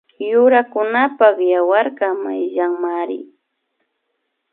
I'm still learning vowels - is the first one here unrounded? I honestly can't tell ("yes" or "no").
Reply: no